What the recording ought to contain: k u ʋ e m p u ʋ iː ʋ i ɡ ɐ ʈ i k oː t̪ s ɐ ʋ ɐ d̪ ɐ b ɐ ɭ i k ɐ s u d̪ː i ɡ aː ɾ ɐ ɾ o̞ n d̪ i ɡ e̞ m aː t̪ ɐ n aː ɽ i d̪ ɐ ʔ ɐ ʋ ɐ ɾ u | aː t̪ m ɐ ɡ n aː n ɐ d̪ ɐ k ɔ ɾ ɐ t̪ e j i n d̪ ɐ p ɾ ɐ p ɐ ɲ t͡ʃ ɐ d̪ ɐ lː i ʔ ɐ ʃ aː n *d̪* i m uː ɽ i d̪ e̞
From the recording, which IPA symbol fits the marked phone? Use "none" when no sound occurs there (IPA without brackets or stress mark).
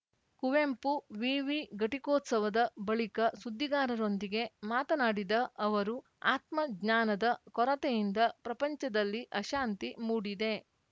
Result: t̪